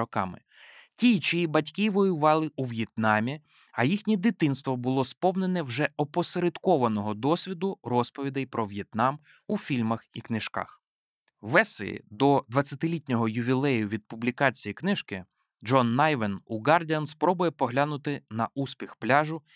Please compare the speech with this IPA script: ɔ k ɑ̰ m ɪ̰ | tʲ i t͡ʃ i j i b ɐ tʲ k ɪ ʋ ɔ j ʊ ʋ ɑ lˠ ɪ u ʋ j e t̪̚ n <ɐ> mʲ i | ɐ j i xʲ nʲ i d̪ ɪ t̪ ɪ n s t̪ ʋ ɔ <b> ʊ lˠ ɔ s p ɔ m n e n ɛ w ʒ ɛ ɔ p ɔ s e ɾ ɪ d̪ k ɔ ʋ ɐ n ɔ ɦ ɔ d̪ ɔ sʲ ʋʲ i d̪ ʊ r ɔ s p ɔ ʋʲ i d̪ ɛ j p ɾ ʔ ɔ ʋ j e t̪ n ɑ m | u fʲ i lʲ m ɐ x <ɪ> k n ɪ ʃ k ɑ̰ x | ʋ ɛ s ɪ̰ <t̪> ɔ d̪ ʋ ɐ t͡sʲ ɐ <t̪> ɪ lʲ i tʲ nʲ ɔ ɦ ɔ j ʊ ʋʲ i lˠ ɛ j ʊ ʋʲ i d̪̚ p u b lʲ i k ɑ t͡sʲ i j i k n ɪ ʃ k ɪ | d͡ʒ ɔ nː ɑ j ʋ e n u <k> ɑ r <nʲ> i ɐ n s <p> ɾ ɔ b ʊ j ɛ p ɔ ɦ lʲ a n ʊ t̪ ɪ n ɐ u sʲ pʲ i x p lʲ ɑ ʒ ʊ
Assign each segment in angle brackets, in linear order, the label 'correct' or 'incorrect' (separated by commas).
incorrect, correct, incorrect, incorrect, correct, incorrect, incorrect, correct